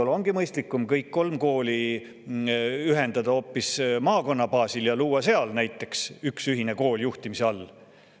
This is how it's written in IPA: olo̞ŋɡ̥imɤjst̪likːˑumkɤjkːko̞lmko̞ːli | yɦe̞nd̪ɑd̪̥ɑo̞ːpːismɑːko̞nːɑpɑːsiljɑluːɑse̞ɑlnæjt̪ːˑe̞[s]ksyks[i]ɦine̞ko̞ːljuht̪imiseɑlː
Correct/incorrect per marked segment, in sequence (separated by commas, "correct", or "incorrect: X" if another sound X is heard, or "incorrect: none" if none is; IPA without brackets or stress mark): incorrect: none, incorrect: y